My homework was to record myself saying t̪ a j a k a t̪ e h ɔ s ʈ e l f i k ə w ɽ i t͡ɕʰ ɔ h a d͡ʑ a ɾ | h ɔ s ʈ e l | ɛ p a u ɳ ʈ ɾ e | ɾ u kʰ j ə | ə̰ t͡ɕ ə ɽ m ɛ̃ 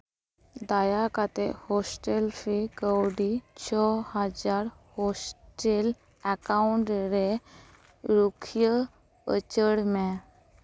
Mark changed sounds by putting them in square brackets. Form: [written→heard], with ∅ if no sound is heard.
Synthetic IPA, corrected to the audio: [t̪→d̪] a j a k a t̪ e h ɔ s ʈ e l f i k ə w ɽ i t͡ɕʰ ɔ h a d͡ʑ a ɾ | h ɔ s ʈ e l | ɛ [p→k] a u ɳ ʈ ɾ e | ɾ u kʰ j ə | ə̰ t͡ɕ ə ɽ m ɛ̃